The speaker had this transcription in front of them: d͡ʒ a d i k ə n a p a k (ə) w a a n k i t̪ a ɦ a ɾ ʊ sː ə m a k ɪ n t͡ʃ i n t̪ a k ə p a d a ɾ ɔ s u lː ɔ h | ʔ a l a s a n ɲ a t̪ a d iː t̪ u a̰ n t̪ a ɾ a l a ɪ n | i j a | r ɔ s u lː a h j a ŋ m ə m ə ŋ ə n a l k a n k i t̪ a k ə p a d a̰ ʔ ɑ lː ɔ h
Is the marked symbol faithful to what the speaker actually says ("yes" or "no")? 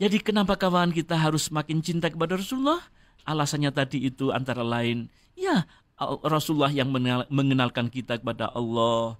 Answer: no